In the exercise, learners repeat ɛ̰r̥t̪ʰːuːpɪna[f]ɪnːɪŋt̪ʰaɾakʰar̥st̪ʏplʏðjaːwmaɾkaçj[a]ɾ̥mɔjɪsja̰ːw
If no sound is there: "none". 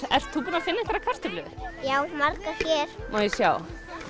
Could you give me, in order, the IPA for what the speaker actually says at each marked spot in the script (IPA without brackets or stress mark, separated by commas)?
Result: f, ɛ